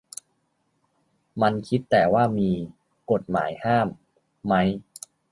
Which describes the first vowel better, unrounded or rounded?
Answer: unrounded